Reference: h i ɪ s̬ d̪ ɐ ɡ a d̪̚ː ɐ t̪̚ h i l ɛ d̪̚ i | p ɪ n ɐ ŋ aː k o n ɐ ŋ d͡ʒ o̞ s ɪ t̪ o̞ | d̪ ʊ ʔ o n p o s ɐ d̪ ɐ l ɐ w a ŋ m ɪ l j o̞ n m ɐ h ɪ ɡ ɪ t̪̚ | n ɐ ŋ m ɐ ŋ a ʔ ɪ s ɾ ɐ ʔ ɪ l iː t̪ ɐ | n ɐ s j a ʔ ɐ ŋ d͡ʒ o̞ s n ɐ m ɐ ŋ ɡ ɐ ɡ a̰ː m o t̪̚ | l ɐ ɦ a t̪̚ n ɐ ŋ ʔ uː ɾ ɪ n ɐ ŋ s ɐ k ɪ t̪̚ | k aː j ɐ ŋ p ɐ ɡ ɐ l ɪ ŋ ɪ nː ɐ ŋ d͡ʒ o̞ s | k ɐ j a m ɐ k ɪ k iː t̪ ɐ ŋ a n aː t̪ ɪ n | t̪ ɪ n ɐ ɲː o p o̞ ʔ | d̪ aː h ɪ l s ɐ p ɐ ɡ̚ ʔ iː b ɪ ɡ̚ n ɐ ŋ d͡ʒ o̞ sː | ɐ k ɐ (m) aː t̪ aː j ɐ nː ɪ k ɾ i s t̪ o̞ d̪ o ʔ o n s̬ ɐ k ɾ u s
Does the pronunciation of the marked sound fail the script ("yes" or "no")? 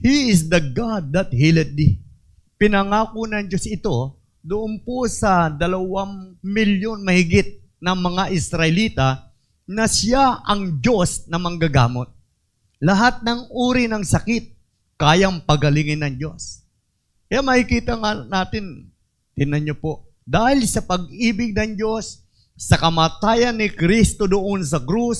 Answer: no